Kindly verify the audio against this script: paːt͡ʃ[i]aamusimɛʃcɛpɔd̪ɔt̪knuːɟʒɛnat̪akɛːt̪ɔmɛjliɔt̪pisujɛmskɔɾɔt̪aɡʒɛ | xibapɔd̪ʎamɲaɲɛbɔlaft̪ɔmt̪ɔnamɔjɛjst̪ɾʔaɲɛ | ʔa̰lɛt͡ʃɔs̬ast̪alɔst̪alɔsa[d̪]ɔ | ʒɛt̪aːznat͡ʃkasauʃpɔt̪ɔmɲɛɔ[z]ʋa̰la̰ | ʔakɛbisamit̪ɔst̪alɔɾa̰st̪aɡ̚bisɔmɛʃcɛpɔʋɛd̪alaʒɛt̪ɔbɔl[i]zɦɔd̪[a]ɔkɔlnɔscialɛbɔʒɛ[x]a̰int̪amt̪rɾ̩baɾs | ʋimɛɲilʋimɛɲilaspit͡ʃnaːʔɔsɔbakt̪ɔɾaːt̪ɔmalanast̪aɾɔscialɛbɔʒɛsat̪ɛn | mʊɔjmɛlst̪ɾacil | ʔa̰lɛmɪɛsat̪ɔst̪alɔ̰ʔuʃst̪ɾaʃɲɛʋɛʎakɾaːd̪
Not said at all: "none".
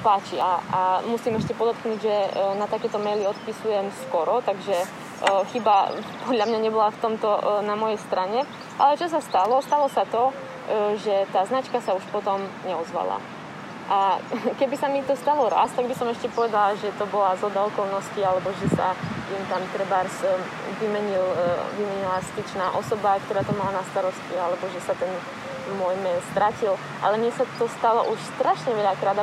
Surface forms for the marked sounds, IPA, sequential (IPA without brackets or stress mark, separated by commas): i, t̪, z, a, a, s